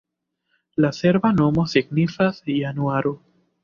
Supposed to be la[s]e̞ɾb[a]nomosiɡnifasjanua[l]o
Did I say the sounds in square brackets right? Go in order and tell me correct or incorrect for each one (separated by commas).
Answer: correct, correct, incorrect